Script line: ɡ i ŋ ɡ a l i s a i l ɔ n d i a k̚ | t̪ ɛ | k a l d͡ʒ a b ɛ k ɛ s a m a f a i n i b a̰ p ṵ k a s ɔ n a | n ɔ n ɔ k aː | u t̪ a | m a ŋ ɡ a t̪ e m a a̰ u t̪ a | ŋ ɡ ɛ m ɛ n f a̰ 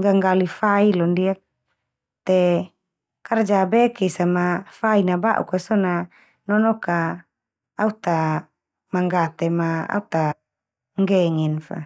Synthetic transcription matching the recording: ɡ a ŋ ɡ a l i f a i l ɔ n d i a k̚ | t̪ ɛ | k a r d͡ʒ a b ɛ k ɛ s a m a f a i n a b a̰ ʔ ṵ k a s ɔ n a | n ɔ n ɔ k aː | u t̪ a | m a ŋ ɡ a t̪ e m a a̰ u t̪ a | ŋ ɡ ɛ ŋ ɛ n f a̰

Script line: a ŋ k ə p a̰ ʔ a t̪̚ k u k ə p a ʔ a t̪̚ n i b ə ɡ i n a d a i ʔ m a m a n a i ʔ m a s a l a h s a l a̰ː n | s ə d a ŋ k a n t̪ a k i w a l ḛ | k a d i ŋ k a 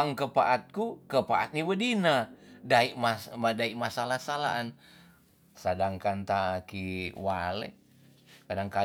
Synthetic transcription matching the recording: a ŋ k ə p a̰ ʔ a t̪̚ k u k ə p a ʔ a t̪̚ n i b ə d i n a d a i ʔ m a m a d a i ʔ m a s a l a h s a l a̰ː n | s a d a ŋ k a n t̪ a k i w a l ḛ | k a d a ŋ k a

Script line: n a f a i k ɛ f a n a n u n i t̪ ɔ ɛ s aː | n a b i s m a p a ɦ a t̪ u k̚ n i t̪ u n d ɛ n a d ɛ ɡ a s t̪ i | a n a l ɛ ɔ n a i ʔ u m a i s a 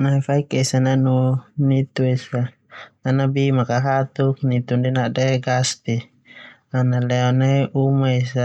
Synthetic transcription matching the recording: n a f a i k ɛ s a n a n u n i t̪ u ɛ s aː | n a b i m a k a ɦ a t̪ u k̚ n i t̪ u n d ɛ n a d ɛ ɡ a s t̪ i | a n a l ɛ ɔ n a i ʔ u m a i s a

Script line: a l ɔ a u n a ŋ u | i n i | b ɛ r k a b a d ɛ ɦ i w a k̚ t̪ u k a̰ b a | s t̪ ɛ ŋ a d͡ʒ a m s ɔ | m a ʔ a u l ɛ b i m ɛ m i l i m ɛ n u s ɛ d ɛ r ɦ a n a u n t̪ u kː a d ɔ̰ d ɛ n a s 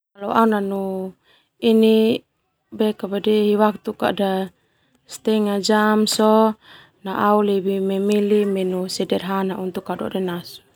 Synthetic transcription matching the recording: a l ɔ a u n a n u | i n i | b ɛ k a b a d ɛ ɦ i w a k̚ t̪ u k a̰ d a | s t̪ ɛ ŋ a d͡ʒ a m s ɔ | n a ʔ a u l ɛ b i m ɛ m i l i m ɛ n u s ɛ d ɛ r ɦ a n a u n t̪ u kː a d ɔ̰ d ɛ n a s

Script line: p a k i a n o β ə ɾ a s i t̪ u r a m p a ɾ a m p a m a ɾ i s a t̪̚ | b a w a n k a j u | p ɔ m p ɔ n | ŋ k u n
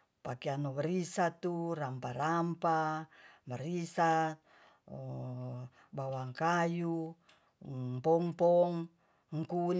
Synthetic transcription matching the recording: p a k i a n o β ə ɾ i s a t̪ u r a m p a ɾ a m p a m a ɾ i s a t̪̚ | b a w a ŋ k a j u | p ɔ ŋ p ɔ ŋ | ŋ k u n

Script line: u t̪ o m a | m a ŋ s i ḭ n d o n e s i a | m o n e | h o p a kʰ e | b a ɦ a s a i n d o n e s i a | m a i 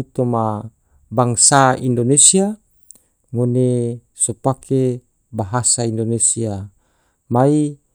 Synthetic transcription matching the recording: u t̪ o m a | b a ŋ s a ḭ n d o n e s i a | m o n e | s o p a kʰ e | b a ɦ a s a i n d o n e s i a | m a i

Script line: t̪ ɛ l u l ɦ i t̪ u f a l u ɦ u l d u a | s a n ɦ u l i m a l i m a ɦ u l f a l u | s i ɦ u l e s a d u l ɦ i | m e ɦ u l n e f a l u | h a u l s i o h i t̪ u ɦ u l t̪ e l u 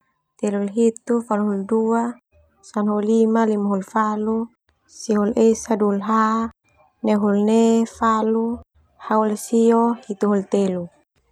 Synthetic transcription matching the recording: t̪ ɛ l u l ɦ i t̪ u f a l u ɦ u l d u a | s a n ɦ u l i m a l i m a ɦ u l f a l u | s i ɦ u l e s a d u l ɦ a | n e ɦ u l n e f a l u | h a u l s i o h i t̪ u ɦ u l t̪ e l u

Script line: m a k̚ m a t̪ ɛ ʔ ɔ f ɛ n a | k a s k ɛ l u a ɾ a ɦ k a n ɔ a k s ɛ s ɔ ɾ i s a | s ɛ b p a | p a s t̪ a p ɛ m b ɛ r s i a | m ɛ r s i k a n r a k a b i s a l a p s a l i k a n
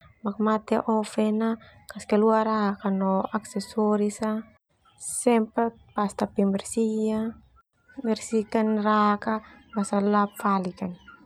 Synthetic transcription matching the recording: m a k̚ m a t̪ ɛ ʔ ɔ f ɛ n a | k a s k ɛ l u a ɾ a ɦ k a n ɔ a k s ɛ s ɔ ɾ i s a | s ɛ m p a | p a s t̪ a p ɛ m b ɛ r s i a | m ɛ r s i k a n r a k a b a s a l a p f a l i k a n

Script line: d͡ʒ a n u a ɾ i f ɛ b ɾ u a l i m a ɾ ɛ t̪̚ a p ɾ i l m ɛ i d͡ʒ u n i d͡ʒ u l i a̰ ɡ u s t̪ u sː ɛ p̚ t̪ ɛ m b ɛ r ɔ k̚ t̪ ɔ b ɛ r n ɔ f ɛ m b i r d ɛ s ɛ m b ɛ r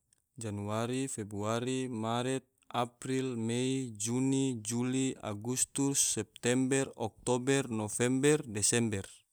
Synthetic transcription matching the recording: d͡ʒ a n u a ɾ i f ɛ b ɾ u a ɾ i m a ɾ ɛ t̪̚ a p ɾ i l m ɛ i d͡ʒ u n i d͡ʒ u l i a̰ ɡ u s t̪ u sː ɛ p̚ t̪ ɛ m b ɛ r ɔ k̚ t̪ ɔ b ɛ r n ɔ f ɛ m b ɛ r d ɛ s ɛ m b ɛ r

